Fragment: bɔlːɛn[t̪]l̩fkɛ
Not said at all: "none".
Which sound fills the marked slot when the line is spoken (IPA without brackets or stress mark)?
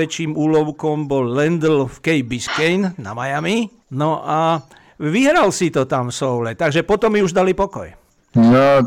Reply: d̪